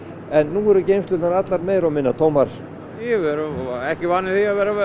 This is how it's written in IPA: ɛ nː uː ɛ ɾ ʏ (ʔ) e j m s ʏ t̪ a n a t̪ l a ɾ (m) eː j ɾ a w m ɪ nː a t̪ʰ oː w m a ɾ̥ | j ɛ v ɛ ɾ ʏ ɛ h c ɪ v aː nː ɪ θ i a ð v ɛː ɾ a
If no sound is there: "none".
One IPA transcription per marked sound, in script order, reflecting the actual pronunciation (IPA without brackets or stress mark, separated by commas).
c, m